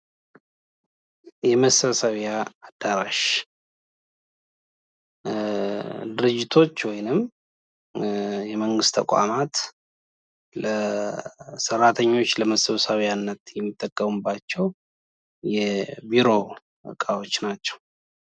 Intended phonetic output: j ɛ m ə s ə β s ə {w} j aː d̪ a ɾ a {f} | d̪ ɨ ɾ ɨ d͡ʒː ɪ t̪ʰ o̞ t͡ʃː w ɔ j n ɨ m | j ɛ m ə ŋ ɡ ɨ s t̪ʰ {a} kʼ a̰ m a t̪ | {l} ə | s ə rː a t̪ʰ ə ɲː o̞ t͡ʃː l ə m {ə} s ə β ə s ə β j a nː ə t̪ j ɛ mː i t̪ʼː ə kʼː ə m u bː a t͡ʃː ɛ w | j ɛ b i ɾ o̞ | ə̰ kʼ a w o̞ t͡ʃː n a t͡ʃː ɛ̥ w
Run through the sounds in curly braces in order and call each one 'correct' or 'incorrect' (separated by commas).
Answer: incorrect, incorrect, incorrect, correct, correct